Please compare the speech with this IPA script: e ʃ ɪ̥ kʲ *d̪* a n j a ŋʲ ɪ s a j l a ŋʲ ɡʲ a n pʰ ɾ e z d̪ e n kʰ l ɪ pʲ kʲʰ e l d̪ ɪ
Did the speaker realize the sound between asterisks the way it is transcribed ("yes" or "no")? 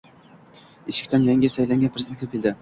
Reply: no